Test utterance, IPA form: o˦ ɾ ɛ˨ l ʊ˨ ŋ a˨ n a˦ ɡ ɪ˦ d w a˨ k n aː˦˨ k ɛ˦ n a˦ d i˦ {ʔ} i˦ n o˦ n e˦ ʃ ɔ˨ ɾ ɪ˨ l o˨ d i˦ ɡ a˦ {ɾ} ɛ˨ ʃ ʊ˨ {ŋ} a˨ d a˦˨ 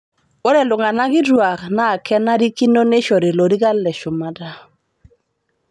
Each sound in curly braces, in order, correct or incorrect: incorrect: k, incorrect: l, incorrect: m

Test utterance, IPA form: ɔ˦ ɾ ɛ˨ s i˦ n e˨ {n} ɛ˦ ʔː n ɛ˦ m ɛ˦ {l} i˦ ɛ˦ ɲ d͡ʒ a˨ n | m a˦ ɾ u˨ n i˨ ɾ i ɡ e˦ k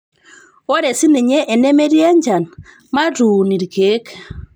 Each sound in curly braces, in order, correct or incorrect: incorrect: ɲ, incorrect: ɾ

